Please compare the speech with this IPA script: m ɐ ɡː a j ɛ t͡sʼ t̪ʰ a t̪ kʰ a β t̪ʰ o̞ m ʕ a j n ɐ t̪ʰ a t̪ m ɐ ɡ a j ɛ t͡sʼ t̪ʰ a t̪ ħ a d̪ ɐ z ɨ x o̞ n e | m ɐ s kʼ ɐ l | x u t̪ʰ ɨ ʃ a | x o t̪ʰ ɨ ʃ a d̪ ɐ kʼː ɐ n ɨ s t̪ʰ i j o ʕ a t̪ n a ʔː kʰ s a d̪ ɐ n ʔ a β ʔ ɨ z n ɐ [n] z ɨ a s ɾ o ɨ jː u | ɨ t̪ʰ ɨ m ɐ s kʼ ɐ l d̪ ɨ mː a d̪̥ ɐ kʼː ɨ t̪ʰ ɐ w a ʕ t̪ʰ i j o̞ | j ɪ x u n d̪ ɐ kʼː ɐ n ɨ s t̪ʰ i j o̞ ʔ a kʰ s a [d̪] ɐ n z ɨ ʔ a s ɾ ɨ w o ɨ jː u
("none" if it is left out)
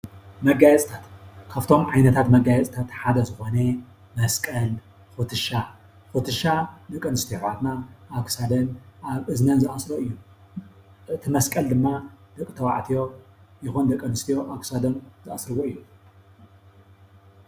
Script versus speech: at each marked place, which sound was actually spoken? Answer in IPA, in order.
n, d̪

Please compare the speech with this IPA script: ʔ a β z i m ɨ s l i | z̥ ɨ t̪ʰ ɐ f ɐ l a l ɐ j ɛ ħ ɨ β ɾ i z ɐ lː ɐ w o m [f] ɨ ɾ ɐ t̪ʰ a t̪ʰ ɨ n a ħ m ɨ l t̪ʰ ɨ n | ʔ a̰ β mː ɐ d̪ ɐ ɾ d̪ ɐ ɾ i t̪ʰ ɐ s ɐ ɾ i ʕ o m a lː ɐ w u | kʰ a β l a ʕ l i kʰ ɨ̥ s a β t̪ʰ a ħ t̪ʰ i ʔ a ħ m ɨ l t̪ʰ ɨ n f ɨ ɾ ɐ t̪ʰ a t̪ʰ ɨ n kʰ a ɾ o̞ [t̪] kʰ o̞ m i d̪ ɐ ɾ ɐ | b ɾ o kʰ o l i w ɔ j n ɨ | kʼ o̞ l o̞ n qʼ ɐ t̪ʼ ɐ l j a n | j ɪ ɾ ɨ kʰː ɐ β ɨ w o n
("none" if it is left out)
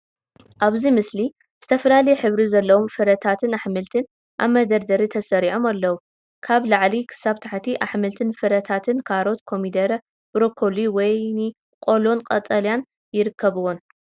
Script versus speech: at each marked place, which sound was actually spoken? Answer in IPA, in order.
f, t̪

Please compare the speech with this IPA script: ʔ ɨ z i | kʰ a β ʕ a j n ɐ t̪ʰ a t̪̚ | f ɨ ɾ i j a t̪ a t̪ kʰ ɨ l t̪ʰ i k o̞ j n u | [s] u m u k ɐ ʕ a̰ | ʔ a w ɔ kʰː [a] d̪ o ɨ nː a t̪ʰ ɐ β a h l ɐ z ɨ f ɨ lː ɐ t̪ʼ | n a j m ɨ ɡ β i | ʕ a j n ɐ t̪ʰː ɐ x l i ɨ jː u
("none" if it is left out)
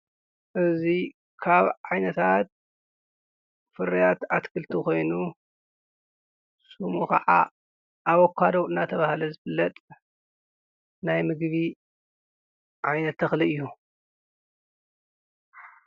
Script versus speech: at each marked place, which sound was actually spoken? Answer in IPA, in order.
s, a

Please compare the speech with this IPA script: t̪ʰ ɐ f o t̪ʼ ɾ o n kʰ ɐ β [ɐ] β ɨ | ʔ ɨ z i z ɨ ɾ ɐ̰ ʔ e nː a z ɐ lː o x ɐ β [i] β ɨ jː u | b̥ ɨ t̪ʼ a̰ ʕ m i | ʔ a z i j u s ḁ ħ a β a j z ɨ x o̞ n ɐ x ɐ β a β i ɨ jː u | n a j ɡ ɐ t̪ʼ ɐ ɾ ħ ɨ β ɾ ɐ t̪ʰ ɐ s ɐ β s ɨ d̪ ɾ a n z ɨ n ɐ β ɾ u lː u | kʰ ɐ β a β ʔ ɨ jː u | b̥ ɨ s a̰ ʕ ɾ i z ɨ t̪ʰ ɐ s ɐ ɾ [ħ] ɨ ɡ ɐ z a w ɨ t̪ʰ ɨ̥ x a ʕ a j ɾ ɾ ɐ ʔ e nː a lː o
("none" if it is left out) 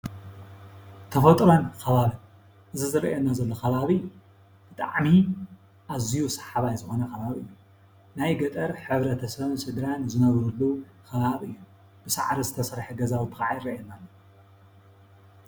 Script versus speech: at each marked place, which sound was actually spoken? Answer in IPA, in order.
a, a, ħ

